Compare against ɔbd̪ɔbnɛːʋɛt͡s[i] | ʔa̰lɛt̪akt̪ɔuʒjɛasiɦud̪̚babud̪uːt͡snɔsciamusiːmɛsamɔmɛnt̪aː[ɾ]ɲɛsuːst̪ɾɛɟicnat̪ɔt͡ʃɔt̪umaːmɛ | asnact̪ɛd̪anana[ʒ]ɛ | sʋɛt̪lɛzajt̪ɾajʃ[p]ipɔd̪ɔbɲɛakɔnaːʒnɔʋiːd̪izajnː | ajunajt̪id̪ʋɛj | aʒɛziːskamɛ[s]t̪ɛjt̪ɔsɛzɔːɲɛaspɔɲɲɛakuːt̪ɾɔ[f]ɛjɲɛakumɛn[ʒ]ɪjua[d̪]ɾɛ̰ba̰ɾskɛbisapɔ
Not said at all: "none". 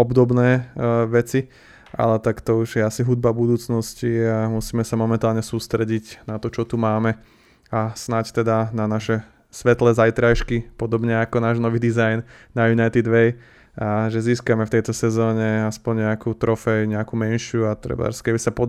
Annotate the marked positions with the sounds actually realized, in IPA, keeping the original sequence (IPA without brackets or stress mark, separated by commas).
i, l, ʃ, k, f, f, ʃ, t̪